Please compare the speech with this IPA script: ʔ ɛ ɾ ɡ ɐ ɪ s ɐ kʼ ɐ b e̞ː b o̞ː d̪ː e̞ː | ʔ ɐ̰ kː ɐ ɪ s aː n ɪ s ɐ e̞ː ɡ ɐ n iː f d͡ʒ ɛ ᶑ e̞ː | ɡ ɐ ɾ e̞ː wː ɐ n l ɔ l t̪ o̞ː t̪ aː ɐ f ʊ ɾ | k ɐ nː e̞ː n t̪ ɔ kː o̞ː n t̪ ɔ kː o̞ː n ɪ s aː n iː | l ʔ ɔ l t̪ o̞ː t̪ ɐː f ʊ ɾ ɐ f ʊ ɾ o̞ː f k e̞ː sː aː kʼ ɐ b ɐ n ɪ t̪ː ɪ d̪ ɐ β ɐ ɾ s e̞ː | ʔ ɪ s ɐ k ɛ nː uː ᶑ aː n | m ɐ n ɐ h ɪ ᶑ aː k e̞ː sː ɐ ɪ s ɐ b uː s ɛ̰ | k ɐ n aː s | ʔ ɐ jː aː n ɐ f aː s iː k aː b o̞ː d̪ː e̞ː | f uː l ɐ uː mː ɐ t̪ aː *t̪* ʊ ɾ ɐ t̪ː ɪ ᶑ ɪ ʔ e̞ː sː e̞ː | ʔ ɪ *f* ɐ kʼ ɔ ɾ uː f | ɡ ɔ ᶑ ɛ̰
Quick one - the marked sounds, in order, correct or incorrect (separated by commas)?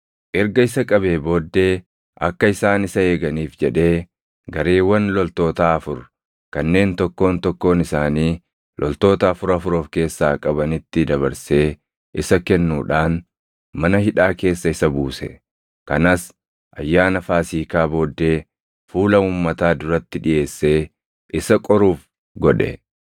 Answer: incorrect, incorrect